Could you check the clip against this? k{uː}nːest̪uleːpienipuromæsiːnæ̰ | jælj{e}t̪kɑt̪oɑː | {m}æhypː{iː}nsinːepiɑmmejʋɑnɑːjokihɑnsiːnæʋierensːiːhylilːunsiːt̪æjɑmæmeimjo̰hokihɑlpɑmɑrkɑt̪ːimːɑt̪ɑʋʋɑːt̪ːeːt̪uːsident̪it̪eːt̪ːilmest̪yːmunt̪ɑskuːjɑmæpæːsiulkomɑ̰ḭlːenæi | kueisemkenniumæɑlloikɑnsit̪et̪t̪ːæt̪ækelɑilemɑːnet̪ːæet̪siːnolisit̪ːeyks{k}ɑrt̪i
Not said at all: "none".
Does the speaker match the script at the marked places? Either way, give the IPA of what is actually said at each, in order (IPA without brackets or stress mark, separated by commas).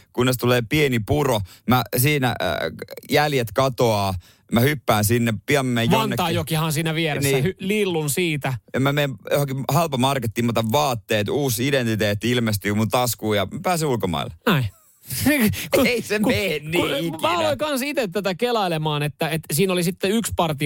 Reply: u, e, m, æː, p